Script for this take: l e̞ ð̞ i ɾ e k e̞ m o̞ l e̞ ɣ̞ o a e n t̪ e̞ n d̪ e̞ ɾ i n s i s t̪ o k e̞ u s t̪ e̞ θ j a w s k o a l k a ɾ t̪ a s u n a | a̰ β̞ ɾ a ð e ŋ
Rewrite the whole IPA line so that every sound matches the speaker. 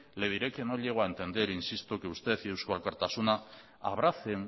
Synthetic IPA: l e̞ ð̞ i ɾ e k e̞ n o̞ ʎ e̞ ɣ̞ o a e n t̪ e̞ n d̪ e̞ ɾ i n s i s t̪ o k e̞ u s t̪ e̞ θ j e w s k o a l k a ɾ t̪ a s u n a | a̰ β̞ ɾ a θ e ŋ